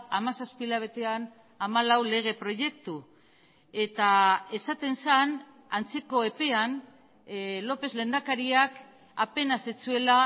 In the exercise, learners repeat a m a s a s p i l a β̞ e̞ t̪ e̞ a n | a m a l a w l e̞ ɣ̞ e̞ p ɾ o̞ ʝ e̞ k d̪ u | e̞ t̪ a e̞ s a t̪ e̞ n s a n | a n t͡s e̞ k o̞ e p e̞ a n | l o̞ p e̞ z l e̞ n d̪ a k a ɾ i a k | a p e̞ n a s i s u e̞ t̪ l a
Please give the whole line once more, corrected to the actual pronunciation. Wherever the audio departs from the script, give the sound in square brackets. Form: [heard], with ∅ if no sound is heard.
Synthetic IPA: a m a s a s p i l a β̞ e̞ t̪ e̞ a n | a m a l a w l e̞ ɣ̞ e̞ p ɾ o̞ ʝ e̞ k [t̪] u | e̞ t̪ a e̞ s a t̪ e̞ n s a n | a n t͡s e̞ k o̞ e p e̞ a n | l o̞ p e̞ z l e̞ n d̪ a k a ɾ i a k | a p e̞ n a s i [t͡s] u e̞ [∅] l a